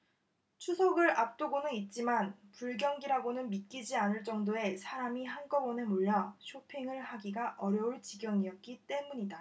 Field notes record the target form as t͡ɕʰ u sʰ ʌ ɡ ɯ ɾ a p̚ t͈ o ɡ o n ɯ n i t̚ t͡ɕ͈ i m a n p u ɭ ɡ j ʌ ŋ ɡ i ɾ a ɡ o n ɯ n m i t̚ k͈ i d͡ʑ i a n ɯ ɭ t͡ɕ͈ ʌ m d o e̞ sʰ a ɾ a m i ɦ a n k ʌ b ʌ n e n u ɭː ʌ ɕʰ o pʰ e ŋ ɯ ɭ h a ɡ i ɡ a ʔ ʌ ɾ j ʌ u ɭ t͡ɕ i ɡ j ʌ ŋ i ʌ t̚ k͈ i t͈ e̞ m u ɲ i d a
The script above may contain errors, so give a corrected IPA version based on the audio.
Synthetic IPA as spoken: t͡ɕʰ u sʰ ʌ ɡ ɯ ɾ a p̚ t͈ o ɡ o n ɯ n i t̚ t͡ɕ͈ i m a n p u ɭ ɡ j ʌ ŋ ɡ i ɾ a ɡ o n ɯ n m i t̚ k͈ i d͡ʑ i a n ɯ ɭ t͡ɕ͈ ʌ ŋ d o e̞ sʰ a ɾ a m i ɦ a n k ʌ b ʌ n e m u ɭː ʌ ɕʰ o pʰ e ŋ ɯ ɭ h a ɡ i ɡ a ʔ ʌ ɾ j ʌ u ɭ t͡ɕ i ɡ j ʌ ŋ i ʌ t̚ k͈ i t͈ e̞ m u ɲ i d a